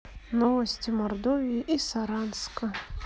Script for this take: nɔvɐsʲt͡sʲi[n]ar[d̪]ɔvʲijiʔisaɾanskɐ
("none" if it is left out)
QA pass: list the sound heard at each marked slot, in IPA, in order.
m, d̪

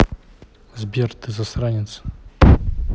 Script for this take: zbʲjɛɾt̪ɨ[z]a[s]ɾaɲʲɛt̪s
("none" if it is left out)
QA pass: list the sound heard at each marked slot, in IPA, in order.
z, s

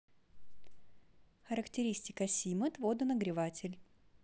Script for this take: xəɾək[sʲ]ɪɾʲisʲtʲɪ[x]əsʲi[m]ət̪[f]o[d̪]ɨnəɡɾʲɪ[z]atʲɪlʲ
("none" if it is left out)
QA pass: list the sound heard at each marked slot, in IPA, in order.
tʲ, k, m, v, d̪, v

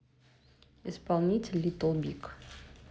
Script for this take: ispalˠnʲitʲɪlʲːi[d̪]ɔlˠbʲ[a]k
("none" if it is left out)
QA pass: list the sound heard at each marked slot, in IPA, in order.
t̪, i

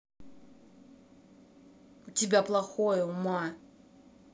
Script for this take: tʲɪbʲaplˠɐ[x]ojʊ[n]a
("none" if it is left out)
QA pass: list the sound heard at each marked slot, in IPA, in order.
x, m

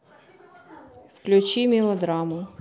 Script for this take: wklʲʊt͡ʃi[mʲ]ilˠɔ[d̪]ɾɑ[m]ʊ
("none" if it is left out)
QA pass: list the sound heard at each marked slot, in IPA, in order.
mʲ, d̪, m

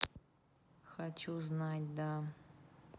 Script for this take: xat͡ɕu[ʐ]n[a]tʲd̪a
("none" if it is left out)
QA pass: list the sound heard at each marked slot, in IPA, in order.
z, a

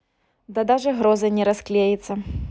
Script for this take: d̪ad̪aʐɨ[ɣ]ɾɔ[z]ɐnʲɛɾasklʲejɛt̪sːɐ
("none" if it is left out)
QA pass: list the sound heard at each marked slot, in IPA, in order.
ɣ, z

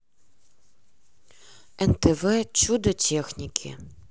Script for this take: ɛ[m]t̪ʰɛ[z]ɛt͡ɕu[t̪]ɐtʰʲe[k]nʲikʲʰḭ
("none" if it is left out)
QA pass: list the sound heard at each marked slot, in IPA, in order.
n, v, d̪, x

